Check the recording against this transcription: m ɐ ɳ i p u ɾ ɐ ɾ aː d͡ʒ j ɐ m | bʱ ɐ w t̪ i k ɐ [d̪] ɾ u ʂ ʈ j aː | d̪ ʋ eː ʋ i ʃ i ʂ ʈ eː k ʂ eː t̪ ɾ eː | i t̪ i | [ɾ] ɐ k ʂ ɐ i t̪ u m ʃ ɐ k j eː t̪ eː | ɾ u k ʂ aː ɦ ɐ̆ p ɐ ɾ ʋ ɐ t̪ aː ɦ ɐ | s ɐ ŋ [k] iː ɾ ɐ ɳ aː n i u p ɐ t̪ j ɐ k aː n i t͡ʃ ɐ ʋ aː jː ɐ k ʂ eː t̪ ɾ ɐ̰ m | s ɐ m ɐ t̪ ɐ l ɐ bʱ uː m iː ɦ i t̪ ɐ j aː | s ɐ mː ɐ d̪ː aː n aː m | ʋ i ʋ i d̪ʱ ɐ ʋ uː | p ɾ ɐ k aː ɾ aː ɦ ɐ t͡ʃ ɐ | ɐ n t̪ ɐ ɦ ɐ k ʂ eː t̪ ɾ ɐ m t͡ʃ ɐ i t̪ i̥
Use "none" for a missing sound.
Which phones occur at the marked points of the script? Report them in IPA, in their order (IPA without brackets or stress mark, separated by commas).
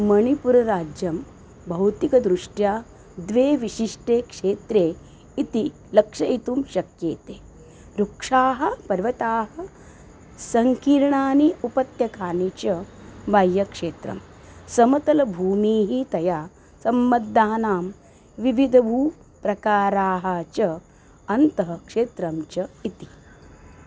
d̪, l, k